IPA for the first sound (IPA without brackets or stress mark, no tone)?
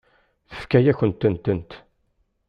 θ